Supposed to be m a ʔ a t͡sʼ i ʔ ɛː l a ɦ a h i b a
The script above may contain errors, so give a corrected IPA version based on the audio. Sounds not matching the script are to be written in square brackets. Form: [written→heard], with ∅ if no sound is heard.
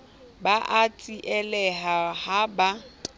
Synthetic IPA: [m→b] a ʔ a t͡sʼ i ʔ [ɛː→ɛ] l [a→ɛ] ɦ a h [i→a] b a